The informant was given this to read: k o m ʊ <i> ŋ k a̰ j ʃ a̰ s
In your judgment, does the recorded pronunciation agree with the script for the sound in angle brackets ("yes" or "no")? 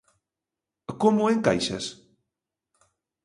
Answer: no